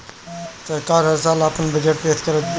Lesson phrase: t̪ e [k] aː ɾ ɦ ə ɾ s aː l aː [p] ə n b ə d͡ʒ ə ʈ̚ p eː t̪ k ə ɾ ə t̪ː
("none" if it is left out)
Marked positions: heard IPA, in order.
k, p

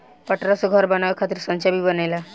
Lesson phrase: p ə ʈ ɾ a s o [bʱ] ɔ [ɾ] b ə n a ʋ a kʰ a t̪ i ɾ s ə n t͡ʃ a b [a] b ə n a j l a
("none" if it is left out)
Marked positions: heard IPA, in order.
ɡʱ, ɾ, i

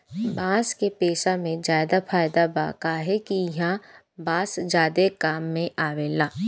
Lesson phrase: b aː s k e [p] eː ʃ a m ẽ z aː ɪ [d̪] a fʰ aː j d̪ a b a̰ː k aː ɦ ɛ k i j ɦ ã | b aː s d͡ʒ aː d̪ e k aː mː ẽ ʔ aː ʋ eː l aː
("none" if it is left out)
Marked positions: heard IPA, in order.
p, d̪

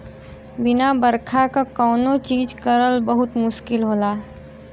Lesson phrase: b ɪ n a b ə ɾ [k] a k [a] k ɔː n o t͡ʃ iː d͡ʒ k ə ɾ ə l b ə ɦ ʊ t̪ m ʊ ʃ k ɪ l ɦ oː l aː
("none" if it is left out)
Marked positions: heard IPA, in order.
kʰ, a

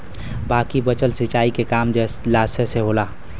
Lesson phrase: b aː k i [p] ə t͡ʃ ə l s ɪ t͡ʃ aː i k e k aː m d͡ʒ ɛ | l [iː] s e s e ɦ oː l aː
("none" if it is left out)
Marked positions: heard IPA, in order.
b, aː

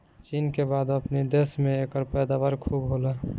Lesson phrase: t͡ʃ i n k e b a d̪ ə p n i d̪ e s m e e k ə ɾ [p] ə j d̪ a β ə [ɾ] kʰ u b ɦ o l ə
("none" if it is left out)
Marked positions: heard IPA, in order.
p, ɾ

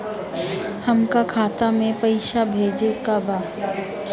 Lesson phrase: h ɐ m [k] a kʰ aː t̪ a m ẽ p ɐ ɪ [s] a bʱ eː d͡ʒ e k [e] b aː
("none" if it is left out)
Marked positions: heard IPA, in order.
k, ʃ, a

